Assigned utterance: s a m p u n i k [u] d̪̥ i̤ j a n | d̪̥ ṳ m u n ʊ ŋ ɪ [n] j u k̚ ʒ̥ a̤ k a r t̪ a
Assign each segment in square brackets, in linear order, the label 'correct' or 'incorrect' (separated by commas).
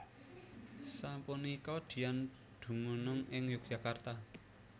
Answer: incorrect, incorrect